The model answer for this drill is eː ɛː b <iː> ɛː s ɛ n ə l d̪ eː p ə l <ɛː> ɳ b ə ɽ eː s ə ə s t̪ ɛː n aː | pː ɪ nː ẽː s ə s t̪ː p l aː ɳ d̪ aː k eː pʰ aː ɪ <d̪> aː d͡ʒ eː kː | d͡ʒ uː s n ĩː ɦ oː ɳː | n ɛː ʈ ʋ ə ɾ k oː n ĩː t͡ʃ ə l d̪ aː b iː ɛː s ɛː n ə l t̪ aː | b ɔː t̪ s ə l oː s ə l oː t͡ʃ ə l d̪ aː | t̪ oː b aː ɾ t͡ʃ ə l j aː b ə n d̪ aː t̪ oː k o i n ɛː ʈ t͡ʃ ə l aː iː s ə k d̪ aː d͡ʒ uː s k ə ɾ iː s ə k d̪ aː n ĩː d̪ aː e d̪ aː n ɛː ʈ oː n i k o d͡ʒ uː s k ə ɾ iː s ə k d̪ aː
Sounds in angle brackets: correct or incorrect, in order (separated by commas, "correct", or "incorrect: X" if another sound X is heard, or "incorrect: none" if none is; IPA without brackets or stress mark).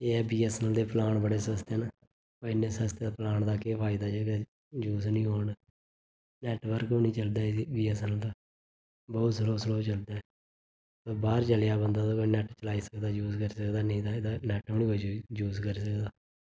correct, incorrect: aː, correct